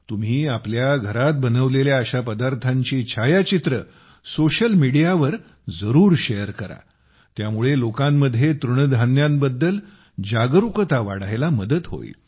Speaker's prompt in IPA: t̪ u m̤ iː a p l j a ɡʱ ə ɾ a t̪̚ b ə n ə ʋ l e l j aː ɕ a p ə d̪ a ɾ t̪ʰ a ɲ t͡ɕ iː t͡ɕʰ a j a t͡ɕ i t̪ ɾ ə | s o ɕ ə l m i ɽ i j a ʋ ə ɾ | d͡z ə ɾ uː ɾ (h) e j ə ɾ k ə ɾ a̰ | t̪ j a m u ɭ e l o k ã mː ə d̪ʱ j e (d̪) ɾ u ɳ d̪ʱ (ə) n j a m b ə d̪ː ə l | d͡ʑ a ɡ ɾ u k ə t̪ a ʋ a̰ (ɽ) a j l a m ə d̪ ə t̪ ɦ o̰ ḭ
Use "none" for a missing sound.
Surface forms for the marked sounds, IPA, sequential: ɕ, t̪, a, ɽ

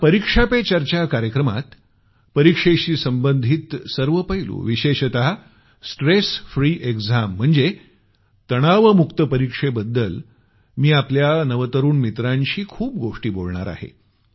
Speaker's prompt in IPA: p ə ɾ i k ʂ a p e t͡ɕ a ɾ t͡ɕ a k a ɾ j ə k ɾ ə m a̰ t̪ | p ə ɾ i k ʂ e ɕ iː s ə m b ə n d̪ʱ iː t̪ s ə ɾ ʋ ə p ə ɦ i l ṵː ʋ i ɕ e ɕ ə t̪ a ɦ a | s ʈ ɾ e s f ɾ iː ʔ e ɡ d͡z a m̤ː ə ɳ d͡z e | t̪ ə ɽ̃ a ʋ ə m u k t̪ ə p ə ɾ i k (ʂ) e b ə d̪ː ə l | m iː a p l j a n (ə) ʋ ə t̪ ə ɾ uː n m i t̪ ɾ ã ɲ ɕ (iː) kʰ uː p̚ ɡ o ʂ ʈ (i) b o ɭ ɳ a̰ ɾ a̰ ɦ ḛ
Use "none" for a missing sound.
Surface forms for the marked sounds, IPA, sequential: ʂ, ə, iː, iː

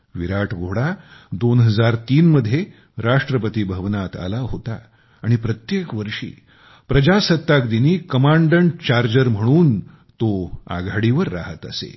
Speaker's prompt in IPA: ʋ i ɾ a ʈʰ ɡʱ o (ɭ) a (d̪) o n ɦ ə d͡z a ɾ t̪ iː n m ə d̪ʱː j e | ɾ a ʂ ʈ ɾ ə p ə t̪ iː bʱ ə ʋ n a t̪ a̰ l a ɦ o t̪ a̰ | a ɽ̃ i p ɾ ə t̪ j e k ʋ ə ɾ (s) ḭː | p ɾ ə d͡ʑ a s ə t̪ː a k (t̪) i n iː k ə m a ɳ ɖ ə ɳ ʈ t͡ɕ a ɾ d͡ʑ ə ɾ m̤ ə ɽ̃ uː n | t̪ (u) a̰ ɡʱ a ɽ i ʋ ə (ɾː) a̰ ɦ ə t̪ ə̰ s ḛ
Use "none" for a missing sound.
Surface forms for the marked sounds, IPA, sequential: ɽ, d̪, ʂ, d̪, o, ɾː

